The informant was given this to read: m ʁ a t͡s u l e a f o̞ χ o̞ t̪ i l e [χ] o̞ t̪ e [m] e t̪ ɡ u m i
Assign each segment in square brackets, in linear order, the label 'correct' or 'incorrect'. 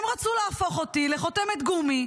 correct, correct

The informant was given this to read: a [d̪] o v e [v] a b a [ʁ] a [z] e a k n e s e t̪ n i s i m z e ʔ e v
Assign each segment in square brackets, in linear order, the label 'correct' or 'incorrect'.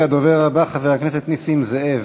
correct, incorrect, incorrect, incorrect

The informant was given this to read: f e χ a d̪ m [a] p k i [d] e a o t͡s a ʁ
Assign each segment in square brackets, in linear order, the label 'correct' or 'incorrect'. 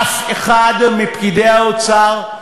incorrect, correct

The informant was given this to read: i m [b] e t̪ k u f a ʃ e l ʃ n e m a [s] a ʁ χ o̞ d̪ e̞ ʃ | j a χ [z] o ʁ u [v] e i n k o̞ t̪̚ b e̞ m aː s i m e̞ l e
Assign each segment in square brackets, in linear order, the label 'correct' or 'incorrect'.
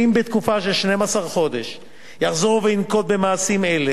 correct, correct, correct, correct

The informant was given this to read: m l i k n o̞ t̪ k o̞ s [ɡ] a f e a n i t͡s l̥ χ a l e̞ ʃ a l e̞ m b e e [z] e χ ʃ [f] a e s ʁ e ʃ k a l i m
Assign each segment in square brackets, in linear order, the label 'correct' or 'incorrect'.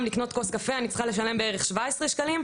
incorrect, incorrect, incorrect

